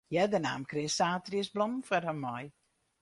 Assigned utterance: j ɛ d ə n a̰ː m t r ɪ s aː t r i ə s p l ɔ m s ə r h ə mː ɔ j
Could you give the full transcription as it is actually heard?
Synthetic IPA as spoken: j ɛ d ə n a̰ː m k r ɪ s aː t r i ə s b l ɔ m f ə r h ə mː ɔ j